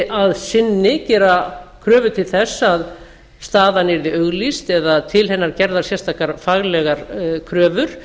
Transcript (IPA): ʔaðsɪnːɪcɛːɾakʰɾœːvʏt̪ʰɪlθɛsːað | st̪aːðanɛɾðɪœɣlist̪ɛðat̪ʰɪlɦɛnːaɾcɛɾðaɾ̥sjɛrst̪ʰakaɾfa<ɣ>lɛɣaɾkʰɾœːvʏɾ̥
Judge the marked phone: correct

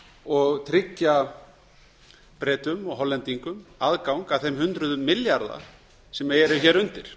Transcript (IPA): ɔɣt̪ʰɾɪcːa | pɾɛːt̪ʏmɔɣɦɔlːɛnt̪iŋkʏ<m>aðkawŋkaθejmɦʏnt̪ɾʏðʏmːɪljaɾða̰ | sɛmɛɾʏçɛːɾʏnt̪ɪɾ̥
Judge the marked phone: correct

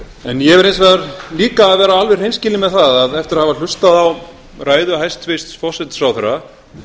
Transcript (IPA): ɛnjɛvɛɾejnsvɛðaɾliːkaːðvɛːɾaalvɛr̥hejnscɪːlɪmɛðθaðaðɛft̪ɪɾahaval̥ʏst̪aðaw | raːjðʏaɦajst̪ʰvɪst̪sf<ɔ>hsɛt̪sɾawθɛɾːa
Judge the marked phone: correct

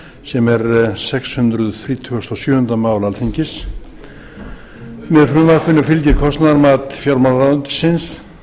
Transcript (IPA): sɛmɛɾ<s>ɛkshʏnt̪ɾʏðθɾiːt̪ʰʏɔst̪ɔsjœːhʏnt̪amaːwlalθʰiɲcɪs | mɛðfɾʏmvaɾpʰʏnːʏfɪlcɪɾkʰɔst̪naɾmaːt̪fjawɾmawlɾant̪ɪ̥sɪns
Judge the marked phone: correct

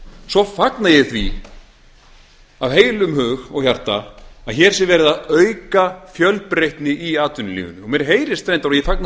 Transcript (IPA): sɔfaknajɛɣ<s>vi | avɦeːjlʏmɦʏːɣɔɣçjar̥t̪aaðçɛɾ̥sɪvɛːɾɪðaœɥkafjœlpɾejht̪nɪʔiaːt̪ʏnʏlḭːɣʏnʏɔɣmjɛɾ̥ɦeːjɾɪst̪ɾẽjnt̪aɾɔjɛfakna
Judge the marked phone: incorrect: θ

